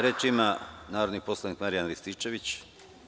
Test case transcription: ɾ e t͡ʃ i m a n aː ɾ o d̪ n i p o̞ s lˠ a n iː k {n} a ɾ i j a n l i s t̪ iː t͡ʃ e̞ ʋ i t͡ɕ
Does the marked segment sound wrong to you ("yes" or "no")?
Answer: yes